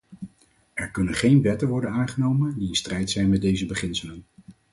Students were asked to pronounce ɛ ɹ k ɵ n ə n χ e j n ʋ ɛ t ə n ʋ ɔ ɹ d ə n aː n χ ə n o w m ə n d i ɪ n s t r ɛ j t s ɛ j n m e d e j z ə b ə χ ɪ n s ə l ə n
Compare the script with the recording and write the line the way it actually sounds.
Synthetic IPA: ɛ ɹ k ɵ n ə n χ e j n ʋ ɛ t ə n ʋ ɔ ɹ d ə n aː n χ ə n o w m ə n d i ɪ n s t r ɛ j t s ɛ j n m ɛ d e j z ə b ə χ ɪ n s ə l ə n